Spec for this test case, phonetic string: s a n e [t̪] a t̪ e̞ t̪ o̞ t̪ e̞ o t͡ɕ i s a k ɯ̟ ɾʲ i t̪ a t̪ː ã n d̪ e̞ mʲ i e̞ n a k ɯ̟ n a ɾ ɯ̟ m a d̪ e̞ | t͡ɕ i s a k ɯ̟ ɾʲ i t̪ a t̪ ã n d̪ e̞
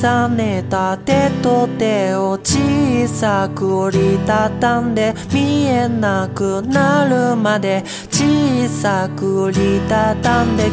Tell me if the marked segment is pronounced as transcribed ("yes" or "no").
yes